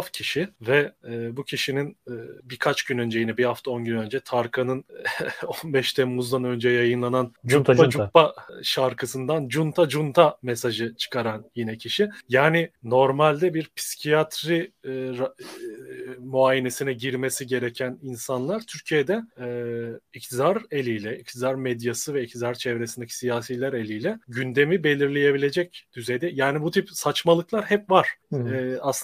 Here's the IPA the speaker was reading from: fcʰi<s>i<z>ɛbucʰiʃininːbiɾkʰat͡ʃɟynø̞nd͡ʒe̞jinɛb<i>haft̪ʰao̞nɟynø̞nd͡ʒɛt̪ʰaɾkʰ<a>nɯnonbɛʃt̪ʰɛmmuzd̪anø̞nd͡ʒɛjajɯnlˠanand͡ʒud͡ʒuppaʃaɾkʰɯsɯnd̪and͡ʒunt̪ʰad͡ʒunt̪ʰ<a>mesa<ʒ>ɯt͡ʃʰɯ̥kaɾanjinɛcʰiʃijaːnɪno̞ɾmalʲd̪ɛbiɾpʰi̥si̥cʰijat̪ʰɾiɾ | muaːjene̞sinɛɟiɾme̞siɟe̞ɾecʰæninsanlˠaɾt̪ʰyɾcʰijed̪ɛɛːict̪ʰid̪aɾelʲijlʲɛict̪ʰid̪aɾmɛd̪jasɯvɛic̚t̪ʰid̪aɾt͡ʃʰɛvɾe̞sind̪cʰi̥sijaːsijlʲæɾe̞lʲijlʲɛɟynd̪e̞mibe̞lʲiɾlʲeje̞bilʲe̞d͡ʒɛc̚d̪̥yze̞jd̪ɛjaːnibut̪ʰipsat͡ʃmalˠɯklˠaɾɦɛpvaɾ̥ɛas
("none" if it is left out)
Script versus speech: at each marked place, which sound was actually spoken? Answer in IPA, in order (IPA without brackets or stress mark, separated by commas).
ʃ, v, i, a, a, ʒ